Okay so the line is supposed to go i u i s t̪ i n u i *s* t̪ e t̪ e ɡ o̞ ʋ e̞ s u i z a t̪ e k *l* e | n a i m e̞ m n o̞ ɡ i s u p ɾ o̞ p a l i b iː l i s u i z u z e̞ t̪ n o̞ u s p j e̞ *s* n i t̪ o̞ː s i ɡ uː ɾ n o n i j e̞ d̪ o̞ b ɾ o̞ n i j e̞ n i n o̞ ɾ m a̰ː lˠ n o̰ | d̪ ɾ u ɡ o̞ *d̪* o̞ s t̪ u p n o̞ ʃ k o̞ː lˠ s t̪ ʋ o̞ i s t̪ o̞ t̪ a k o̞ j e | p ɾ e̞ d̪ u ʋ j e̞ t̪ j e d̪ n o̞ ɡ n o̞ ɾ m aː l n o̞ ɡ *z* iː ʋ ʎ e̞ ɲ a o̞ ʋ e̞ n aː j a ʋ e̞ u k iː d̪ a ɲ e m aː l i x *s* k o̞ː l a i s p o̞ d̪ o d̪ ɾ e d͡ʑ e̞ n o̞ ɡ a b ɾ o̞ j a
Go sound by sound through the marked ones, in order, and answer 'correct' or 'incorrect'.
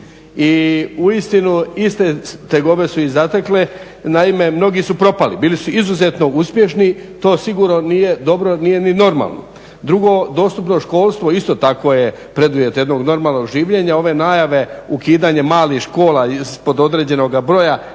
correct, correct, incorrect: ʃ, correct, incorrect: ʒ, incorrect: ʃ

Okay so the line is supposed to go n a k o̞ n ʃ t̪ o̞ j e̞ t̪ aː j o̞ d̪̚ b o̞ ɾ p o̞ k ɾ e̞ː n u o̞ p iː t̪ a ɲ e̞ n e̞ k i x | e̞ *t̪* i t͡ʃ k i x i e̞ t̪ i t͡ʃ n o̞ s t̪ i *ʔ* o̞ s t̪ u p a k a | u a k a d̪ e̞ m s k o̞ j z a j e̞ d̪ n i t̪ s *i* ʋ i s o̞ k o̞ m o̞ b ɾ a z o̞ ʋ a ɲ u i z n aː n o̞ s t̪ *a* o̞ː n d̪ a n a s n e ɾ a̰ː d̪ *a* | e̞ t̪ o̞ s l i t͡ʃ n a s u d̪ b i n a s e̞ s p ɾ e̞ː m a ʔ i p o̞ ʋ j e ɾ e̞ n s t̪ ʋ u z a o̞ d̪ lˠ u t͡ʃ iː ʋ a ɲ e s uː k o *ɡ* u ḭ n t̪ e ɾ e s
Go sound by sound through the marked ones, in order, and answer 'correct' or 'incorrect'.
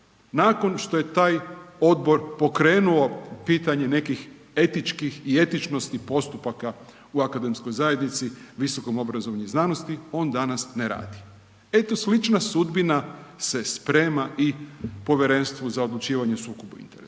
correct, incorrect: p, correct, incorrect: i, incorrect: i, incorrect: b

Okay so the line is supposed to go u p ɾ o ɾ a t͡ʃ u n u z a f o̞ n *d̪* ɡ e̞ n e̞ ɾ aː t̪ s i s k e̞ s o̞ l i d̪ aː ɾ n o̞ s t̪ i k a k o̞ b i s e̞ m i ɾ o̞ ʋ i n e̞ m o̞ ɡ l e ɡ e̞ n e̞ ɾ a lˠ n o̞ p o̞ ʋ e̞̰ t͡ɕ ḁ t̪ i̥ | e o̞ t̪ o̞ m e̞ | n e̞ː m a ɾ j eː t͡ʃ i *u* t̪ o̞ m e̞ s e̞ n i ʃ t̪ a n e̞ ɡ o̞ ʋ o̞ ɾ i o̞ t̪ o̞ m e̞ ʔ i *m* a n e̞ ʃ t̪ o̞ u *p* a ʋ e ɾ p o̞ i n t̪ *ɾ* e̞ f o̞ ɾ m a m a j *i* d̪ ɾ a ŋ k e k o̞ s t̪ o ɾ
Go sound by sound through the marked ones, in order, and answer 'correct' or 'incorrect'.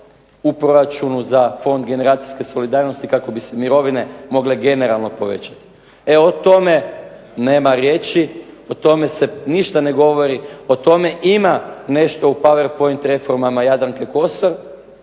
correct, incorrect: o, correct, correct, correct, incorrect: a

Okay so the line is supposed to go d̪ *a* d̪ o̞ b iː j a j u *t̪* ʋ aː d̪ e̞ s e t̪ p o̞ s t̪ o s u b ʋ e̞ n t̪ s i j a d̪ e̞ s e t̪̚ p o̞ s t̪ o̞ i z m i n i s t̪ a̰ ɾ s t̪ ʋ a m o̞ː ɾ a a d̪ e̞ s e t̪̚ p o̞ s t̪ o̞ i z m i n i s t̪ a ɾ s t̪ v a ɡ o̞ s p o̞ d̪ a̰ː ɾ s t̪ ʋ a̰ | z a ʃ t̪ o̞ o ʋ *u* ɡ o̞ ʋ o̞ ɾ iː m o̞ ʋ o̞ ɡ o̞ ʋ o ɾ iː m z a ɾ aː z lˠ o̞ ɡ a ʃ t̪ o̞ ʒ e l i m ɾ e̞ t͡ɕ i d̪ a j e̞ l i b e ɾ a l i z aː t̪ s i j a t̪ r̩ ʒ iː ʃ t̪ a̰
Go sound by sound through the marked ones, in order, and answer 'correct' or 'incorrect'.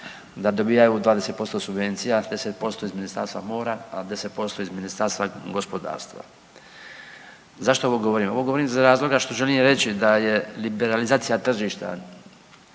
correct, incorrect: d̪, incorrect: o

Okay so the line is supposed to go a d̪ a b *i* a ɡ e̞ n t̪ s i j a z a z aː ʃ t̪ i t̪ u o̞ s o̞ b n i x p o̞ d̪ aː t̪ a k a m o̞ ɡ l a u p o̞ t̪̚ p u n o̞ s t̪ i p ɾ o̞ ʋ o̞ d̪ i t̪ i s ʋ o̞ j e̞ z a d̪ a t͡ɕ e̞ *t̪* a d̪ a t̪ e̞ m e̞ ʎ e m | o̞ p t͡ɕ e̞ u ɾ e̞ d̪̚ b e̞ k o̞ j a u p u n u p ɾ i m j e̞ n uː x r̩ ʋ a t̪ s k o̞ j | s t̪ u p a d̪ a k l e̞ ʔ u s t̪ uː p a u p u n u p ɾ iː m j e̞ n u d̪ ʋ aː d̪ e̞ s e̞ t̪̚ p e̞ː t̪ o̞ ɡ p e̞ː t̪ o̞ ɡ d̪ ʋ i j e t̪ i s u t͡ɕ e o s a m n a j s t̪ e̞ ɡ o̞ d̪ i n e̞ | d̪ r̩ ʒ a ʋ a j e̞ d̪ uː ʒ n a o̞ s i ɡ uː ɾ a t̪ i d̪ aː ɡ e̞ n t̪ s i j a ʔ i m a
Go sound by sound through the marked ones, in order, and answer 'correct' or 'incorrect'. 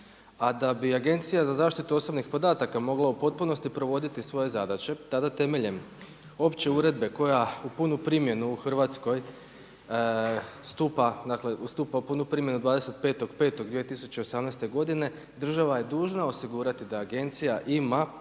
correct, correct

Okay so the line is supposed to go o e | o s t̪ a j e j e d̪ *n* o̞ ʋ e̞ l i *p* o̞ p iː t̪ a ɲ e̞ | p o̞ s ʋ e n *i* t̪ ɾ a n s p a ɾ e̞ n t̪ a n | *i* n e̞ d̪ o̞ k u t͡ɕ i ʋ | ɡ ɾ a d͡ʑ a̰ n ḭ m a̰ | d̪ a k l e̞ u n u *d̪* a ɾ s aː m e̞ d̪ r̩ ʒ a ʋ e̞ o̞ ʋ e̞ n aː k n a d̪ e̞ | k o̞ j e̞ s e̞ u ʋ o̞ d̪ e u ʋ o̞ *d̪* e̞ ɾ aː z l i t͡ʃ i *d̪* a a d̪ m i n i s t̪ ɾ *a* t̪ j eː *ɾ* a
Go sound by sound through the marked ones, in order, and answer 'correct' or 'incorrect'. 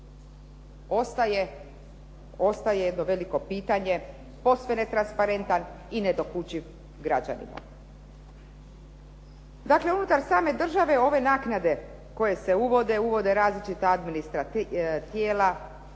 correct, incorrect: k, incorrect: e, correct, incorrect: t̪, correct, incorrect: t̪, correct, incorrect: l

